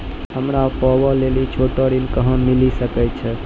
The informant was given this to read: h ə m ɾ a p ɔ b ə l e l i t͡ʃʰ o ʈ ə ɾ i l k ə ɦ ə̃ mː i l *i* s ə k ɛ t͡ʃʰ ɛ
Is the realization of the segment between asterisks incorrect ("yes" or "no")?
no